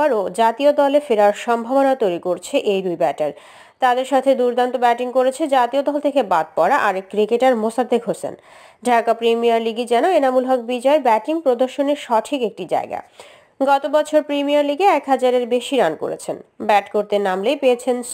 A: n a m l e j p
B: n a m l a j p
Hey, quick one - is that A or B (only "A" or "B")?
A